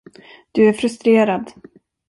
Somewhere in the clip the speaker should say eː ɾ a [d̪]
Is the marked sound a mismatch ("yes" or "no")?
no